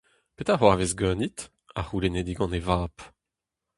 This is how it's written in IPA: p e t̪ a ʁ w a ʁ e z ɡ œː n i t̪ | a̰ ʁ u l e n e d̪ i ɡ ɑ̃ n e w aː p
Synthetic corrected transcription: p e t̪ a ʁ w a v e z ɡ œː n i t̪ | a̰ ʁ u l e n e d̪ i ɡ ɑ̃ n e v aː p